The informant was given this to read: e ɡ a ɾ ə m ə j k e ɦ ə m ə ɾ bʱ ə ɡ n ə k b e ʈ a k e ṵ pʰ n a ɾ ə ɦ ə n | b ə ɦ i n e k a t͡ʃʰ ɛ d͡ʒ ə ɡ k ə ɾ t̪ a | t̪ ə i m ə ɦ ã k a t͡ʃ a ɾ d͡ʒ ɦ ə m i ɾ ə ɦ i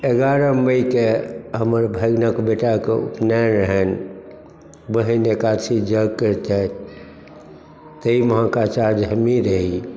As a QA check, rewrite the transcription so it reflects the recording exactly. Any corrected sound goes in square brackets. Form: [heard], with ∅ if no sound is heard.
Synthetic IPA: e ɡ a ɾ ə m ə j k e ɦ ə m ə ɾ bʱ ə ɡ n ə k b e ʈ a k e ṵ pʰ n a ɾ ə ɦ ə n | b ə ɦ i n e k a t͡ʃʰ [i] d͡ʒ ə ɡ k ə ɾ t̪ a | t̪ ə i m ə ɦ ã k a t͡ʃ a ɾ d͡ʒ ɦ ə m i ɾ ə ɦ i